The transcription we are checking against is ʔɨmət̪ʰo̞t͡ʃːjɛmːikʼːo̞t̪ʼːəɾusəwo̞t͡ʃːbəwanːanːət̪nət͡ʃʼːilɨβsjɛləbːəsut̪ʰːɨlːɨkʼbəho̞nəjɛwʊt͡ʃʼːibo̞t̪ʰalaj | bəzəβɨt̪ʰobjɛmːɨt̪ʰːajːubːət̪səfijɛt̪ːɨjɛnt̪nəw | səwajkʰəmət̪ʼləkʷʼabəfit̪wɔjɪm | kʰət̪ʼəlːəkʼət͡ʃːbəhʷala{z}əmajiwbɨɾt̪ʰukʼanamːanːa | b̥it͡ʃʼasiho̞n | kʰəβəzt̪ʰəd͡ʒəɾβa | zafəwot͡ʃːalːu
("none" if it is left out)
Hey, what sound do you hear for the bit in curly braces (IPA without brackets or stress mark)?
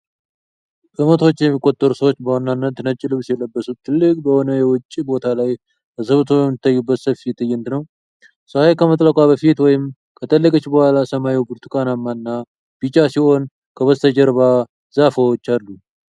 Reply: s